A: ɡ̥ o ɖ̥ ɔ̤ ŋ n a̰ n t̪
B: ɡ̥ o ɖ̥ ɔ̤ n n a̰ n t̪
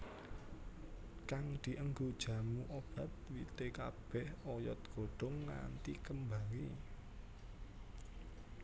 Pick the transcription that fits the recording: A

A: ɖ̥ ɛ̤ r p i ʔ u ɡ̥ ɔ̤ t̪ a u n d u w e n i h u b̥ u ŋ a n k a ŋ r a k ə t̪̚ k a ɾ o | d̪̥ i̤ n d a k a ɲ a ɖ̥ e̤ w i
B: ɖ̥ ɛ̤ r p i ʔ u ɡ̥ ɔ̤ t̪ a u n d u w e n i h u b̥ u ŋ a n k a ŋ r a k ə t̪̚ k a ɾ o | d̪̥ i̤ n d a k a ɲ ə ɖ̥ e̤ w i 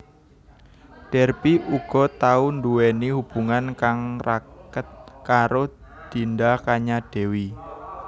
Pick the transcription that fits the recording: A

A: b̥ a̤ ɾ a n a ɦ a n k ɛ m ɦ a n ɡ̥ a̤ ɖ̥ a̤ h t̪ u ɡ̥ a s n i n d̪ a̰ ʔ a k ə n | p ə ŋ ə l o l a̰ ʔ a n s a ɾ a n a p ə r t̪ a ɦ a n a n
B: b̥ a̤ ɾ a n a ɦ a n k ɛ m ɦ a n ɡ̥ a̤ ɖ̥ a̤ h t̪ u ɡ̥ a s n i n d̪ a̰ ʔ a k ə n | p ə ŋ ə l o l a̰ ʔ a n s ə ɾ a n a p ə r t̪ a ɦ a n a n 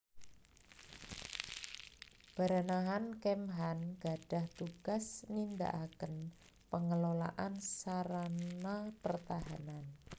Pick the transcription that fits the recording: A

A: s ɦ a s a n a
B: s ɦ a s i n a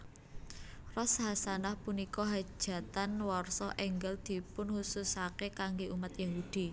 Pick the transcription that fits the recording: A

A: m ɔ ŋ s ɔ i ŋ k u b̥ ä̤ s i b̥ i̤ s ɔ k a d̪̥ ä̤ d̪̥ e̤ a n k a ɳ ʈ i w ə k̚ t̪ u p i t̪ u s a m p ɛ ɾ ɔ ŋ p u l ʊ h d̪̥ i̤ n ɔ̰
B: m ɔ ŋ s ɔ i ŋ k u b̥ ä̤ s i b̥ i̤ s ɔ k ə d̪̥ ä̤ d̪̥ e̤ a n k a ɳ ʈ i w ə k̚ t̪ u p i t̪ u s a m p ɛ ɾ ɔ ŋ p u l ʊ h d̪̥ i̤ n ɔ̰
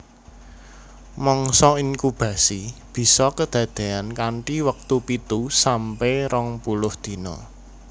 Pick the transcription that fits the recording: B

